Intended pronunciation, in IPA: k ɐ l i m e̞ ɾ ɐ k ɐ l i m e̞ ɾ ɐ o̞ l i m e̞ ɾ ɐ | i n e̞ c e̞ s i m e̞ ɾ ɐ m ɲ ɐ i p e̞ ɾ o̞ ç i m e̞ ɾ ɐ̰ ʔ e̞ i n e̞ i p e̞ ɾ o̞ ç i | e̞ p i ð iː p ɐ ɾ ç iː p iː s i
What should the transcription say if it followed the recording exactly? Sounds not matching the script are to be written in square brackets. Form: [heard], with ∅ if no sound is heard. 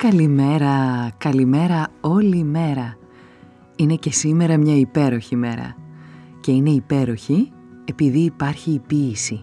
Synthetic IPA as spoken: k ɐ l i m e̞ ɾ ɐ k ɐ l i m e̞ ɾ ɐ o̞ l i m e̞ ɾ ɐ | i n e̞ c e̞ s i m e̞ ɾ ɐ m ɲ ɐ i p e̞ ɾ o̞ ç i m e̞ ɾ ɐ̰ [c] e̞ i n e̞ i p e̞ ɾ o̞ ç i | e̞ p i ð iː p ɐ ɾ ç iː p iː s i